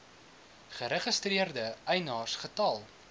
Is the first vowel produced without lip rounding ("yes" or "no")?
yes